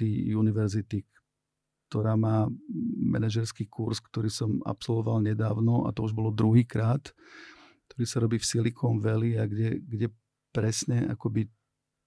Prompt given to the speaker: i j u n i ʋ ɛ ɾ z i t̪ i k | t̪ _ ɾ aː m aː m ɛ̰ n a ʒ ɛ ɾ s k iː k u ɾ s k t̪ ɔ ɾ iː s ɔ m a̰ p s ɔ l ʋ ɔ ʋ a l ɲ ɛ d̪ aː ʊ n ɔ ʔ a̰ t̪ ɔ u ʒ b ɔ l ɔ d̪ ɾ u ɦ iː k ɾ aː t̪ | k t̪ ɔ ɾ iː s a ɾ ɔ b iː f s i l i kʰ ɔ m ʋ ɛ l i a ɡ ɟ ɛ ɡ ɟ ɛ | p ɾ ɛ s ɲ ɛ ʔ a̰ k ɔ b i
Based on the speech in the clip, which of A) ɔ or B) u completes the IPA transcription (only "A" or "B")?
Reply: A